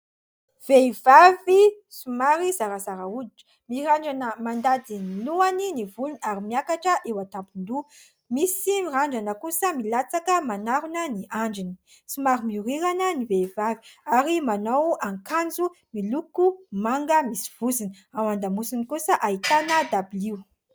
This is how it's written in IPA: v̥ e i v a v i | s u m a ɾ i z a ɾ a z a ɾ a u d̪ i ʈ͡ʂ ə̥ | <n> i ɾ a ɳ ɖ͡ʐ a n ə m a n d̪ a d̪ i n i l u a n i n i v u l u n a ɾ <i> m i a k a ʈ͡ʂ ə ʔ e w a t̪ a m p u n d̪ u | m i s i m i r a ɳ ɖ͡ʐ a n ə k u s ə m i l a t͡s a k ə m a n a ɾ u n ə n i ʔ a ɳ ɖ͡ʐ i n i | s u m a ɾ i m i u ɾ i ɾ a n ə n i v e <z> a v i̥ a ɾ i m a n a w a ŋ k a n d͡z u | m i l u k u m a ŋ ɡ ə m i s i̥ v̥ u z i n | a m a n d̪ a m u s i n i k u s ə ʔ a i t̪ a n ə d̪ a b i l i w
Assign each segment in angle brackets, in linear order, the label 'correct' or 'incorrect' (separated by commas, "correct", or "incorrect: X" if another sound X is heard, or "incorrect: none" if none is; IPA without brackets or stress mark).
incorrect: m, correct, incorrect: v